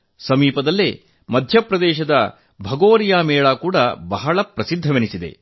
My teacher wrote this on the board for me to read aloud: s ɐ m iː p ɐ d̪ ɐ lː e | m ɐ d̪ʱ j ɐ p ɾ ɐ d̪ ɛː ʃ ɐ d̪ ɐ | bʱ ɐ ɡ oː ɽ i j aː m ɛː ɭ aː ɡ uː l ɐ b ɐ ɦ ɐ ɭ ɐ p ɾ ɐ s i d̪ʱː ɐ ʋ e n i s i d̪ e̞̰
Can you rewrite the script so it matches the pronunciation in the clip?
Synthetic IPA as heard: s ɐ m iː p ɐ d̪ ɐ lː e | m ɐ d̪ʱ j ɐ p ɾ ɐ d̪ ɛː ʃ ɐ d̪ ɐ | bʱ ɐ ɡ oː ɾ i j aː m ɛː ɭ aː k uː ɽ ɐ b ɐ ɦ ɐ ɭ ɐ p ɾ ɐ s i d̪ʱː ɐ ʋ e n i s i d̪ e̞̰